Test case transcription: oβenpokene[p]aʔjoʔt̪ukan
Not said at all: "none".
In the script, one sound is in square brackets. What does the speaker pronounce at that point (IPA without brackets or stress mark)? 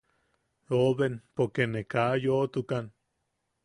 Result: k